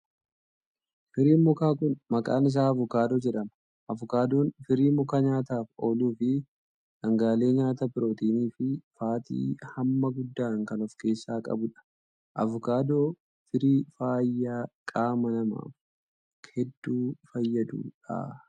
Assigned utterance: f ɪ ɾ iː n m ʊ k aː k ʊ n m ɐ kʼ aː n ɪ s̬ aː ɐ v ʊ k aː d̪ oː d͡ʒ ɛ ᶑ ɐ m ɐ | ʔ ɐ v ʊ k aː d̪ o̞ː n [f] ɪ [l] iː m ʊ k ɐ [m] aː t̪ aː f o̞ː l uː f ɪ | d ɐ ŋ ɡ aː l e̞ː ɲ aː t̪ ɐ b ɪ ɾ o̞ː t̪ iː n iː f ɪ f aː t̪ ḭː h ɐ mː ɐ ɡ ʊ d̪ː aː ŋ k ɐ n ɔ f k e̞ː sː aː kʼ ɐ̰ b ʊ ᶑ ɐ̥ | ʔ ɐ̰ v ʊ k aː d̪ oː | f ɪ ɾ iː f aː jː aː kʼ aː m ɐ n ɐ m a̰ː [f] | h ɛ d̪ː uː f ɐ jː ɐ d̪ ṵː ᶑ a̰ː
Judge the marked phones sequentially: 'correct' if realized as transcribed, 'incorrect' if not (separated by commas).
correct, incorrect, incorrect, correct